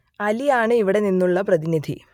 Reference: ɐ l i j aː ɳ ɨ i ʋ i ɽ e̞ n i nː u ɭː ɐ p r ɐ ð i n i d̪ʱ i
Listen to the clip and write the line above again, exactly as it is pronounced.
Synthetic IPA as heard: ɐ l i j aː ɳ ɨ i ʋ i ɽ e̞ n i nː u ɭː ɐ p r ɐ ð i n i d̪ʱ i